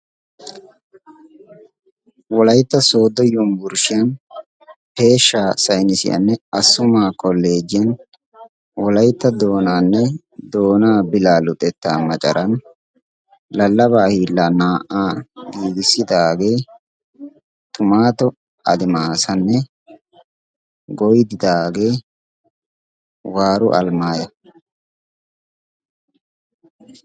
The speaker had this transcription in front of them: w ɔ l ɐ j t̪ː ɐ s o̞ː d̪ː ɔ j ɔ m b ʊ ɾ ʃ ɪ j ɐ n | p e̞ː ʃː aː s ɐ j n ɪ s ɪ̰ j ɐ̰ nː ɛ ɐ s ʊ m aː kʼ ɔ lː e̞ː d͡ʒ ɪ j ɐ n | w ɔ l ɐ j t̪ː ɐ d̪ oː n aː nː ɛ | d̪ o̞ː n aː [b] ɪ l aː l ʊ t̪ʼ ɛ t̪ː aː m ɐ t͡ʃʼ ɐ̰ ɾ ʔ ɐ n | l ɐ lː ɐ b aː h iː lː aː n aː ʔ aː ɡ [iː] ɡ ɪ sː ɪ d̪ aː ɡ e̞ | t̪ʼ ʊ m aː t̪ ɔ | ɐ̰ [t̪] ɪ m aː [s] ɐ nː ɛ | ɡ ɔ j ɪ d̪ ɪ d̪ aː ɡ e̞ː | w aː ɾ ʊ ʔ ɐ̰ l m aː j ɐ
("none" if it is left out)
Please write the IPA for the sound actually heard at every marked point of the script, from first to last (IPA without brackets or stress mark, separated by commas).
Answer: b, iː, d̪, s